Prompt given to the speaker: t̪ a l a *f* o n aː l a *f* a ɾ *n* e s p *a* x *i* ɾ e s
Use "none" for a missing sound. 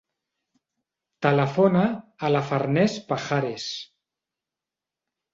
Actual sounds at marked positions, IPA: f, f, n, a, a

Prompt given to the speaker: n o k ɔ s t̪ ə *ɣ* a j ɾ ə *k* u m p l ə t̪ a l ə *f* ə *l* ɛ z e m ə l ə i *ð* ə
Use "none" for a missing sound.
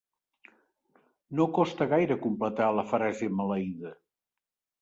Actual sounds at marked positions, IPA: ɣ, k, f, ɾ, ð

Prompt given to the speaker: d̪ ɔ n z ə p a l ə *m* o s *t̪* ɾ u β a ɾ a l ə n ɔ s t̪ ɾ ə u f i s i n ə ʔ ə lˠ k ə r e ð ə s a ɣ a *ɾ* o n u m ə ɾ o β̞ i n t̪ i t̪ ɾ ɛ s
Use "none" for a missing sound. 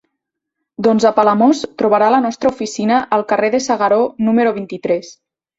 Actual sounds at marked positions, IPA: m, t̪, ɾ

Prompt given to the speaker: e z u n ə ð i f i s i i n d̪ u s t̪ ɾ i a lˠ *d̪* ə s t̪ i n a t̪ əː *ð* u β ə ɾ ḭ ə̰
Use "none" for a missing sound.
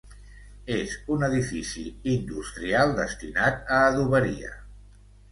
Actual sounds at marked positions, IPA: d̪, ð

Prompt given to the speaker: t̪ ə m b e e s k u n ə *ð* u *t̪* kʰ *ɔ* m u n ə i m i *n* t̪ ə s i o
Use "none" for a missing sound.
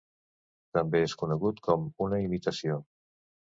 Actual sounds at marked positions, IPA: ɣ, t̪, ɔ, none

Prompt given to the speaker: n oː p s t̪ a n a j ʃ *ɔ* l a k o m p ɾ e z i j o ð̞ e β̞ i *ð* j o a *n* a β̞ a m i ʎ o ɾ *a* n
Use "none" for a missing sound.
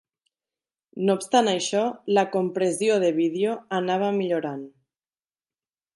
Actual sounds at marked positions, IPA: ɔ, ð, n, a

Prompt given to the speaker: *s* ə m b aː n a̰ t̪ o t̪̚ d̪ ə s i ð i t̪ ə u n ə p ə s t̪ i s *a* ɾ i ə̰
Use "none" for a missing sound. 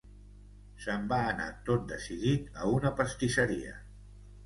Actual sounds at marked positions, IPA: s, ə

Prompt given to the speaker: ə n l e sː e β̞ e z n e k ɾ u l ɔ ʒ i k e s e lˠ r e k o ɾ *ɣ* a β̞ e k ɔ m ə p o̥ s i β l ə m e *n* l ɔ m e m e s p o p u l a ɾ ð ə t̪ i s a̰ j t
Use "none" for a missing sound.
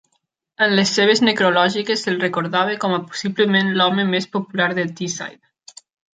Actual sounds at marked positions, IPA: ð, n

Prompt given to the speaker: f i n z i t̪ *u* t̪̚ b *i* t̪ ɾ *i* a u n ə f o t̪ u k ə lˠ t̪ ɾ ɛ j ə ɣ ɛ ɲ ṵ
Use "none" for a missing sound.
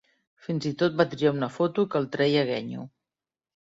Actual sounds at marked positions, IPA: o, a, i

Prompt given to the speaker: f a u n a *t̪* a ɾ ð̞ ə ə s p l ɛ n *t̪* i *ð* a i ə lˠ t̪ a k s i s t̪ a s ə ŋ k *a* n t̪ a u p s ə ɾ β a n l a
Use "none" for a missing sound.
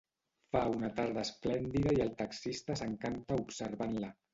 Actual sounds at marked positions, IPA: t̪, d̪, ð, a

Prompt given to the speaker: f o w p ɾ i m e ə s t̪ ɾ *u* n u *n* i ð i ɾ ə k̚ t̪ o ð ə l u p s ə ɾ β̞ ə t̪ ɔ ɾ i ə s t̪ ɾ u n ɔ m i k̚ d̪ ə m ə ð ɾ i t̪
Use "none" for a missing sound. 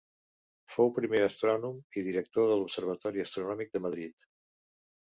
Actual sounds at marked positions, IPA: ɔ, m

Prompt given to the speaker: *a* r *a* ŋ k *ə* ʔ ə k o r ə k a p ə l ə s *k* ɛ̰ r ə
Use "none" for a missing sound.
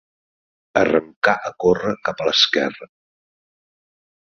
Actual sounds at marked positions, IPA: ə, ə, a, k

